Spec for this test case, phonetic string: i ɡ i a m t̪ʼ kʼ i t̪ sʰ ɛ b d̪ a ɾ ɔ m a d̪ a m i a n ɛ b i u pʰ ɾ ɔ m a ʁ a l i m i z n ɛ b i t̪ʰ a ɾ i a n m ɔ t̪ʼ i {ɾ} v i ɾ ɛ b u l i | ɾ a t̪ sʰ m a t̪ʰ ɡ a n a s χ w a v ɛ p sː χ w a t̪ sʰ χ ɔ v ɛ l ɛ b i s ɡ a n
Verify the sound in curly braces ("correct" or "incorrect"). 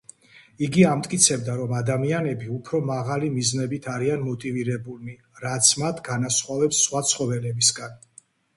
incorrect